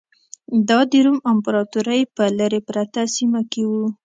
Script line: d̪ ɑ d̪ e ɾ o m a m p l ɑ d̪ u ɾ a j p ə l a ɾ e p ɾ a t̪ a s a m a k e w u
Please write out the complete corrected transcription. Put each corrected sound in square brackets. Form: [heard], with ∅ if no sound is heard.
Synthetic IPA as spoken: d̪ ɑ d̪ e ɾ [u] m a m p [ɾ] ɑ [t̪] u ɾ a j p ə l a ɾ e p ɾ a t̪ a s [i] m a k e w u